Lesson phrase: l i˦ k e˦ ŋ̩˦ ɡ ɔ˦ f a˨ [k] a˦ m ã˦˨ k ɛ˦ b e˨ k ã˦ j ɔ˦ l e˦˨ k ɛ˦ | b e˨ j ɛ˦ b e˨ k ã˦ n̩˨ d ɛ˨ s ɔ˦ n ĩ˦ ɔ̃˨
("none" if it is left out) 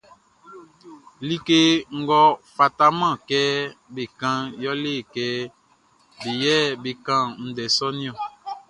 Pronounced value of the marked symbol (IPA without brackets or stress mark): t